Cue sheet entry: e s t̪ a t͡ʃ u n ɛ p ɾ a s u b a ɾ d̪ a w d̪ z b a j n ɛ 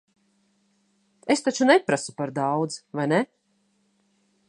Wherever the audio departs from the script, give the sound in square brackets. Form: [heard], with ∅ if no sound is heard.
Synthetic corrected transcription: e s t̪ a t͡ʃ u n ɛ p ɾ a s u [p] a ɾ d̪ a w d̪ z [v] a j n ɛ